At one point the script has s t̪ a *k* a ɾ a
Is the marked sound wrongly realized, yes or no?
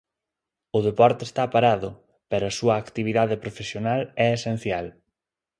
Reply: yes